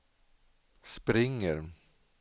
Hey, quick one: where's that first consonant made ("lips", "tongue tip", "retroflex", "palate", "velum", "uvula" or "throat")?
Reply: tongue tip